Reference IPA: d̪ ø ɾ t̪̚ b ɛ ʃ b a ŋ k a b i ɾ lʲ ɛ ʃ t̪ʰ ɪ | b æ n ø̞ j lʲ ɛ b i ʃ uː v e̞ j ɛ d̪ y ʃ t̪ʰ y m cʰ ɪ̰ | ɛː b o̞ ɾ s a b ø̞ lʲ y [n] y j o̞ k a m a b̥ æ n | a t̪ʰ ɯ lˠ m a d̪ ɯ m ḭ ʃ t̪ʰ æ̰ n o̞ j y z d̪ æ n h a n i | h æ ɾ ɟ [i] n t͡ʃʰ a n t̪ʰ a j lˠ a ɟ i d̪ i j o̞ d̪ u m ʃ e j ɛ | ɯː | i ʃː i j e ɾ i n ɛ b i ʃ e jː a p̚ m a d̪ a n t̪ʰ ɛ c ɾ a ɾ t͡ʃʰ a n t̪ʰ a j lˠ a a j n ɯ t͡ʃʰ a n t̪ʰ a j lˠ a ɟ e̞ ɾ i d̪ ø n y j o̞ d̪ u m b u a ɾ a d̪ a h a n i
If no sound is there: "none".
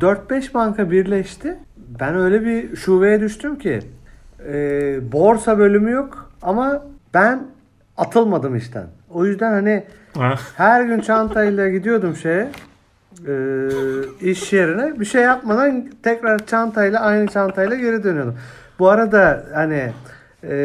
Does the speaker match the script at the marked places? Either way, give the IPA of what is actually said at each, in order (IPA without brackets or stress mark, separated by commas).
m, y